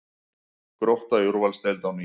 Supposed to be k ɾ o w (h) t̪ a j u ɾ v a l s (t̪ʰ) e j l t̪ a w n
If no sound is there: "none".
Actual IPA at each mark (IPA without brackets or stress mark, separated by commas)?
h, t̪